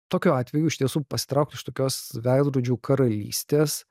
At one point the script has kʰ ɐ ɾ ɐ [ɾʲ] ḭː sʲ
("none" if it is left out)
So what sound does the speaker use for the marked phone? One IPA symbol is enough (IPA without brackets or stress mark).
lʲ